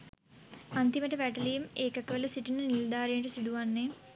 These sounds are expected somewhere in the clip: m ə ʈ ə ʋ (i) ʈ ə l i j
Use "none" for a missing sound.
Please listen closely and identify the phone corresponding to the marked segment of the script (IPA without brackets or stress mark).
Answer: æ